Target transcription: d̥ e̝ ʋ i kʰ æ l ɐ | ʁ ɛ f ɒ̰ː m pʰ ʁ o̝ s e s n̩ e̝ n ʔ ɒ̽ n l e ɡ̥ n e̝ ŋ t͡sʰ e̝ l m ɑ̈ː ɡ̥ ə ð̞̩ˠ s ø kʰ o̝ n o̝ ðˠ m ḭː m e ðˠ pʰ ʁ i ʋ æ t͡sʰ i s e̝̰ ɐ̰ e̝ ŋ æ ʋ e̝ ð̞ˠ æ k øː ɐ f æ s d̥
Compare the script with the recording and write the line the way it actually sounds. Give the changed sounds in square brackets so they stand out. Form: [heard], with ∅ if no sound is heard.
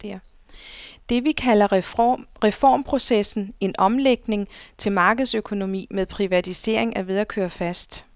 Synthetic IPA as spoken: d̥ e̝ ʋ i kʰ æ l ɐ | ʁ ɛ f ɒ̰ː m pʰ ʁ o̝ s e s n̩ e̝ n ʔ ɒ̽ [m] l e ɡ̥ n e̝ ŋ t͡sʰ e̝ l m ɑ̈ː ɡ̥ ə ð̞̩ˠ s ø kʰ o̝ n o̝ [∅] m ḭː m e ðˠ pʰ ʁ i ʋ æ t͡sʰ i s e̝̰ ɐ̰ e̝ ŋ æ ʋ e̝ ð̞ˠ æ [kʰ] øː ɐ f æ s d̥